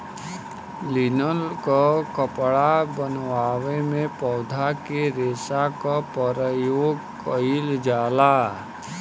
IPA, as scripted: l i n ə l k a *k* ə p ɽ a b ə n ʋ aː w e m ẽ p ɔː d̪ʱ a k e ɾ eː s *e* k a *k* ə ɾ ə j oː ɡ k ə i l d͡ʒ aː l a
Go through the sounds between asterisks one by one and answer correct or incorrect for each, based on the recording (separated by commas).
correct, incorrect, incorrect